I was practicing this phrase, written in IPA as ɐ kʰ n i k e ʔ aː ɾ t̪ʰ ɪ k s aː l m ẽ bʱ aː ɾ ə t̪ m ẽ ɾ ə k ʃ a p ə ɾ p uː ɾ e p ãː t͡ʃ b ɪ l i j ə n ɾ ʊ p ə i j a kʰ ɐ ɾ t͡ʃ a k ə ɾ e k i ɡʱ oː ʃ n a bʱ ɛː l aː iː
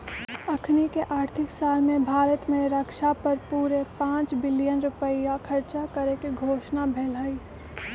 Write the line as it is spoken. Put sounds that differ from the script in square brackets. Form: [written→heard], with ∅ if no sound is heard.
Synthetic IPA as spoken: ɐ kʰ n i k e ʔ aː ɾ t̪ʰ ɪ k s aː l m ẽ bʱ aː ɾ ə t̪ m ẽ ɾ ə k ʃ a p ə ɾ p uː ɾ e p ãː t͡ʃ b ɪ l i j ə n ɾ ʊ p ə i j a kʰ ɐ ɾ t͡ʃ a k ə ɾ e k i ɡʱ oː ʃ n a bʱ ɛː l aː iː